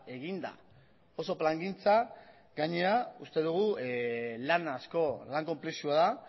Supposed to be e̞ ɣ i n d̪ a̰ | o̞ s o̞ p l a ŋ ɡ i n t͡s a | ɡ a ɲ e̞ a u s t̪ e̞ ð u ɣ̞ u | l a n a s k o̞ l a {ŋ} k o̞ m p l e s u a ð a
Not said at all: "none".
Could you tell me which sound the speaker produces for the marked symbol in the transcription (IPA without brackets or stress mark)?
ŋ